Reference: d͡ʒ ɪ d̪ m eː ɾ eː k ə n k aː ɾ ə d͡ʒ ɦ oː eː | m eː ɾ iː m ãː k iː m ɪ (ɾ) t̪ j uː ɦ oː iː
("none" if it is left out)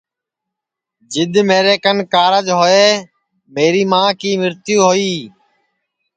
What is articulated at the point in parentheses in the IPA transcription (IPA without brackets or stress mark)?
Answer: ɾ